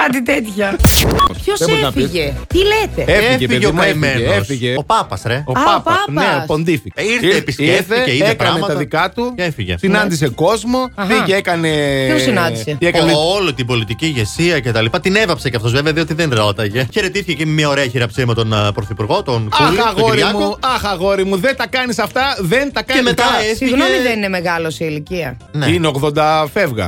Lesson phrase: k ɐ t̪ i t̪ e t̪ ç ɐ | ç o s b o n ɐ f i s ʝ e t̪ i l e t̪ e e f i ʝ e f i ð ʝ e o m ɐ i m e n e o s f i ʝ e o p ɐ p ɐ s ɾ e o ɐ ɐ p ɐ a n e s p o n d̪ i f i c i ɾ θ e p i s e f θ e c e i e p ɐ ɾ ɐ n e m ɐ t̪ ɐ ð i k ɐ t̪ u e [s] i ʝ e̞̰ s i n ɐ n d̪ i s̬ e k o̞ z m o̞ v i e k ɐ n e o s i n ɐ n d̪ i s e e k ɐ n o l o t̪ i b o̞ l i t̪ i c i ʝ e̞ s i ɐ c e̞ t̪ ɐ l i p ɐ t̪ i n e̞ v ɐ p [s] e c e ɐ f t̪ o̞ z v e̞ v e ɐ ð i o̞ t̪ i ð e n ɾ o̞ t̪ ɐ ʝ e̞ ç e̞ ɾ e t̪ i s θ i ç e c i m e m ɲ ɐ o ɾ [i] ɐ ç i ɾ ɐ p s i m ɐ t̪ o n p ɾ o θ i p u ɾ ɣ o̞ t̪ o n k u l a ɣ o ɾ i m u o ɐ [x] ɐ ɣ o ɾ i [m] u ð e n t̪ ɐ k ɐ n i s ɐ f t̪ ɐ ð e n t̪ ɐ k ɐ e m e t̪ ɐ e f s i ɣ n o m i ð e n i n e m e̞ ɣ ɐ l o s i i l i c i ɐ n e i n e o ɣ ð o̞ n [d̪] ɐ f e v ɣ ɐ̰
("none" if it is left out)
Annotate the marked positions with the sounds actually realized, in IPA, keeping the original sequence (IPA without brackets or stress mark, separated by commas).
f, s, e, x, m, d̪